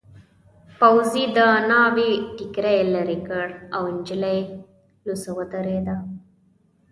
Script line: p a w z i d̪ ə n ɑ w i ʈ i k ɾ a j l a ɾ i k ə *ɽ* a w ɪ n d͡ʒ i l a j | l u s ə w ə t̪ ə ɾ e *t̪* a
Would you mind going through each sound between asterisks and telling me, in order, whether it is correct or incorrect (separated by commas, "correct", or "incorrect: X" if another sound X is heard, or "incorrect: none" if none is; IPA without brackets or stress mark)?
correct, incorrect: d̪